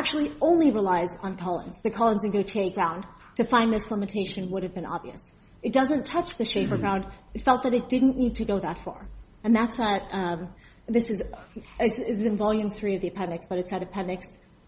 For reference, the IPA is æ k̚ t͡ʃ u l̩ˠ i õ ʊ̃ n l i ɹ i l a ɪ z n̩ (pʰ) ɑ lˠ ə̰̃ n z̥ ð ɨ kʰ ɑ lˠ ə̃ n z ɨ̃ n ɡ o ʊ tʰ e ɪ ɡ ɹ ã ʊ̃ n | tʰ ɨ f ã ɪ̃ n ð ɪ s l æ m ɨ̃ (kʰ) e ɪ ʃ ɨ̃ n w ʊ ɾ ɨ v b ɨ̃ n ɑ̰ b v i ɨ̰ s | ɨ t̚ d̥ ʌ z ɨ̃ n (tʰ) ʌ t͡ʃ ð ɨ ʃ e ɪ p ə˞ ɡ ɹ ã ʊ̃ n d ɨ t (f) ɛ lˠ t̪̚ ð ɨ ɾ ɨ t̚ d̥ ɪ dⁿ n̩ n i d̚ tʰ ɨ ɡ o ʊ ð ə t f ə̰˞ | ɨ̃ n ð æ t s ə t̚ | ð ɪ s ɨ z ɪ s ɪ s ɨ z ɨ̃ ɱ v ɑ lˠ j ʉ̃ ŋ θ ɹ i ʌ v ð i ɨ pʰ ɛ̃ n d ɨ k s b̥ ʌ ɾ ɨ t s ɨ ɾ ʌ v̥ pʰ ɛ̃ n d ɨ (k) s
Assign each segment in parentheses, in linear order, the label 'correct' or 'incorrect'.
incorrect: kʰ, incorrect: tʰ, correct, correct, correct

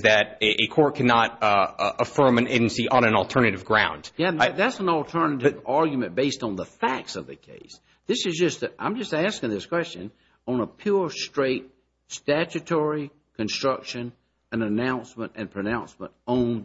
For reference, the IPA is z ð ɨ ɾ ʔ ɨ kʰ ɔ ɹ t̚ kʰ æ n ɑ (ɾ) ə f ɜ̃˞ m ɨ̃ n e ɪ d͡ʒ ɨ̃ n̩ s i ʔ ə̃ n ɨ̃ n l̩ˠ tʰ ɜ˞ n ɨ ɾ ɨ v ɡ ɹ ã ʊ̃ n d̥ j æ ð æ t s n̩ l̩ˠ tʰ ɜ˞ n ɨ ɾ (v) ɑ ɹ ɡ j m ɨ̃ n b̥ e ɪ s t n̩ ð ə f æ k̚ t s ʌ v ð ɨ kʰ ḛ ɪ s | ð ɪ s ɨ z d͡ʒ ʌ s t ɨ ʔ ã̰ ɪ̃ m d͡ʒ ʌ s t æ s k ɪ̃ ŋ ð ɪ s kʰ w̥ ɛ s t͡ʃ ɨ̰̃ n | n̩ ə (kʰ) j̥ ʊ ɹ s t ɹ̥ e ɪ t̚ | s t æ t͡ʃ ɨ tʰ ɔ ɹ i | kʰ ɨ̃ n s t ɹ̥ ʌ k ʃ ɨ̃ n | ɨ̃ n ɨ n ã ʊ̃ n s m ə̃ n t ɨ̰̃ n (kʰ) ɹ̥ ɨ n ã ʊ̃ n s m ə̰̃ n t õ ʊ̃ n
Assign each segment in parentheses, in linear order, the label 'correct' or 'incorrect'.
correct, correct, incorrect: pʰ, incorrect: pʰ

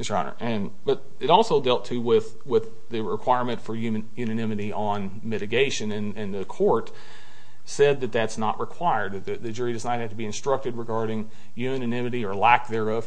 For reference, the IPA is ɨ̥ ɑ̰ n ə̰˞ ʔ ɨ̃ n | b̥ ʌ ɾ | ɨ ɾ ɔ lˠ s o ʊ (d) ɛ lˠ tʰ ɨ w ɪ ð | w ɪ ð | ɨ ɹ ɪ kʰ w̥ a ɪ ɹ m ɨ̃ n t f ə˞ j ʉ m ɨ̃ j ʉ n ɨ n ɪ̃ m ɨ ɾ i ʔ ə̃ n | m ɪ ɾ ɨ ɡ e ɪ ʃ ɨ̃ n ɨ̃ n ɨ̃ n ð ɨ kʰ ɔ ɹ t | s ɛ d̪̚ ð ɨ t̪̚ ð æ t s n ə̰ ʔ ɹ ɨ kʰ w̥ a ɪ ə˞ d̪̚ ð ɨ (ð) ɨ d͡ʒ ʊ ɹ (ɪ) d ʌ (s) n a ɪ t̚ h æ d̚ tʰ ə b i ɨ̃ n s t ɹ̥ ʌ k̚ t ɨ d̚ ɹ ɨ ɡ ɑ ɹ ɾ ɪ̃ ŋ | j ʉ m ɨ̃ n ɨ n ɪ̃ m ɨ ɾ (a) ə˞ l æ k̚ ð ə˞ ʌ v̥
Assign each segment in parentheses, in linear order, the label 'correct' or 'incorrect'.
correct, correct, incorrect: i, incorrect: z, incorrect: i

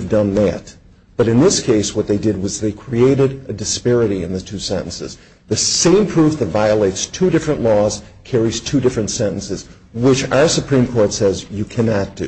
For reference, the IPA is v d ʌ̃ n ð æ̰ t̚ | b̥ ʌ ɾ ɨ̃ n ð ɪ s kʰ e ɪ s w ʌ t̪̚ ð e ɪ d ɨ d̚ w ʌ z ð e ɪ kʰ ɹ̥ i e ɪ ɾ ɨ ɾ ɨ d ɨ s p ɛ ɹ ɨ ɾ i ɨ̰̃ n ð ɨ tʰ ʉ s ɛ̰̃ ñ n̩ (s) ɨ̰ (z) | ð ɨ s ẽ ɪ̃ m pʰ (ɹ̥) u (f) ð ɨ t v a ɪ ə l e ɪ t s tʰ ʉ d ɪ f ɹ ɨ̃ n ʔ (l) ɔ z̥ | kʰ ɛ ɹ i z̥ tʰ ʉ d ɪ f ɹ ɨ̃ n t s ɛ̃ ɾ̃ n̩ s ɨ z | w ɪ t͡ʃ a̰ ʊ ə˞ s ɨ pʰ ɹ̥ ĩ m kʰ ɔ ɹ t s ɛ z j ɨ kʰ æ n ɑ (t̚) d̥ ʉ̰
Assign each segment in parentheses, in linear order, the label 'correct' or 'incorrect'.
correct, correct, correct, correct, correct, correct

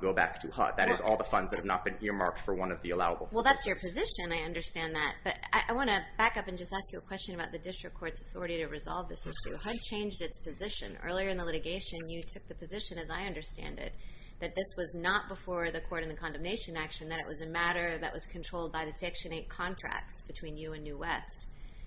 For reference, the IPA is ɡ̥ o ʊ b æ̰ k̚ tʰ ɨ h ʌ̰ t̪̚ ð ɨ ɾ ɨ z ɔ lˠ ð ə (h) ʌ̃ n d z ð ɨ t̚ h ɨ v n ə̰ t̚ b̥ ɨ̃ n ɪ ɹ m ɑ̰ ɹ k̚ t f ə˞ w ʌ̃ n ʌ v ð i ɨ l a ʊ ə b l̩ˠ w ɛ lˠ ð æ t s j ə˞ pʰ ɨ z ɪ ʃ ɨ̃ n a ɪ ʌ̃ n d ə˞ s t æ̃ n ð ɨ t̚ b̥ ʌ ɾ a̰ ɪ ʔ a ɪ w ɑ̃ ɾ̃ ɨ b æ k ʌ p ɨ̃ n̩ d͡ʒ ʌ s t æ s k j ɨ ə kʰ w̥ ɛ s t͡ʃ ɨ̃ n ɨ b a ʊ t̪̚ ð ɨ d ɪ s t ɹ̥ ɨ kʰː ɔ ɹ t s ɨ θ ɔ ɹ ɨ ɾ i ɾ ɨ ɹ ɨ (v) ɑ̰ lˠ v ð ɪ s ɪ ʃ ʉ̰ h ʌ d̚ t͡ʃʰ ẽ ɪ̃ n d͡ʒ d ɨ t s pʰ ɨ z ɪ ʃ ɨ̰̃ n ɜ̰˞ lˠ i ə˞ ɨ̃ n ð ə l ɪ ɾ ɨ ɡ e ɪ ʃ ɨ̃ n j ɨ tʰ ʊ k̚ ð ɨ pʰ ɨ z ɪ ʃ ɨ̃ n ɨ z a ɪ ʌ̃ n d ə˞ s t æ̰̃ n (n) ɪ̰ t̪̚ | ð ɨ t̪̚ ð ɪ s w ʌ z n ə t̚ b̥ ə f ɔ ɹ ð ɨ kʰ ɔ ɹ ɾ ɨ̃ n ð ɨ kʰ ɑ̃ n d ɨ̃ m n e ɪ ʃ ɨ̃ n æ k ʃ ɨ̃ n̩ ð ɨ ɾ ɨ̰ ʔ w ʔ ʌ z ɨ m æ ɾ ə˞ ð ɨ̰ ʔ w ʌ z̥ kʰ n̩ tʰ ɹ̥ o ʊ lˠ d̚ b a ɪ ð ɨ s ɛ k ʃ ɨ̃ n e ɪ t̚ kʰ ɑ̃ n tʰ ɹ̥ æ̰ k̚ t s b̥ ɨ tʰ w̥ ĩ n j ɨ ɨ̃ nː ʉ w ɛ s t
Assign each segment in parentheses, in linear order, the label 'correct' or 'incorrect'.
incorrect: f, incorrect: z, incorrect: d

